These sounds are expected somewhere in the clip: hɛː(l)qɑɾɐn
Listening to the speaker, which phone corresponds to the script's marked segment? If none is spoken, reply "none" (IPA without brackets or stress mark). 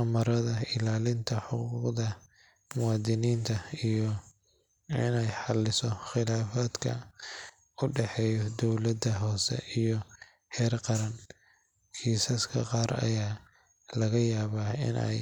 r